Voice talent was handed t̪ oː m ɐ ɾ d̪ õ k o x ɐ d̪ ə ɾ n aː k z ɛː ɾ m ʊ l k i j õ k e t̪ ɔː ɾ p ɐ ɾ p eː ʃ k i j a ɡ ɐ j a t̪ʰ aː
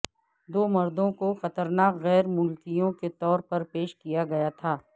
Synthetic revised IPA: d̪ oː m ɐ ɾ d̪ õ k o x ɐ t̪ ə ɾ n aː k ɣ ɛː ɾ m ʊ l k i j õ k e t̪ ɔː ɾ p ɐ ɾ p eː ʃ k i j a ɡ ɐ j a t̪ʰ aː